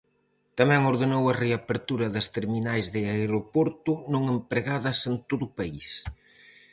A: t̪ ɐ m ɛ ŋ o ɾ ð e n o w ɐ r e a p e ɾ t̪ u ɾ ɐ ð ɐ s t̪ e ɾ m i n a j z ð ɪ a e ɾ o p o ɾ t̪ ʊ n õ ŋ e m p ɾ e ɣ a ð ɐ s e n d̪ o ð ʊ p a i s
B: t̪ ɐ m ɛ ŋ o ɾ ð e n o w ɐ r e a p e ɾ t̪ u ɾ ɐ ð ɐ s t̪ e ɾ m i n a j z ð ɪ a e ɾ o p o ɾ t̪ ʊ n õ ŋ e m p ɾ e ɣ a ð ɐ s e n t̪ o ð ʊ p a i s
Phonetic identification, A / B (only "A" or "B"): B